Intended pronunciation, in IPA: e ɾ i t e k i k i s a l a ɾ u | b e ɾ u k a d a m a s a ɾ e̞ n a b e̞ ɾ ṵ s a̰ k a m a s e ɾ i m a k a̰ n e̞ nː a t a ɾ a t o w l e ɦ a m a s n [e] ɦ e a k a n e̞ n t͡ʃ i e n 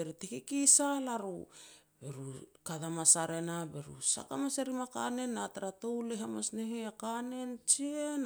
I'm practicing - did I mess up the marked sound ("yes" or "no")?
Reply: no